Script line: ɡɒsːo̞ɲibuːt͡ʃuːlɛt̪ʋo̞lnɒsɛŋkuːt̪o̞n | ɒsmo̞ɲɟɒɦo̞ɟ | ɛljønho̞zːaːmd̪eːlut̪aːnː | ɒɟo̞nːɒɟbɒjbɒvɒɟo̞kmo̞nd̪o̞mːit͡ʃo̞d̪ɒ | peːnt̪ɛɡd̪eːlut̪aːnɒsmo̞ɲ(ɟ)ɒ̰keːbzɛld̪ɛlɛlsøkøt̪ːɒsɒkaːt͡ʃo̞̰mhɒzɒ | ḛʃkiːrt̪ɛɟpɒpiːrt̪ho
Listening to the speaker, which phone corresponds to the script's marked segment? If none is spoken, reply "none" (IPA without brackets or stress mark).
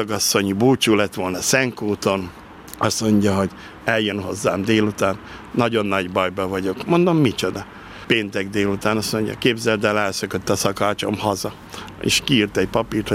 ɟ